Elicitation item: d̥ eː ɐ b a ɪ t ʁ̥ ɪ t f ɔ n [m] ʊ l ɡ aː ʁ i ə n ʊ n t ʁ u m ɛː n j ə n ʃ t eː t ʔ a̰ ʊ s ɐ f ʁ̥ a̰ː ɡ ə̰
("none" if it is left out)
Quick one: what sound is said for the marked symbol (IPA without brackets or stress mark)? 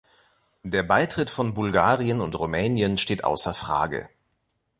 b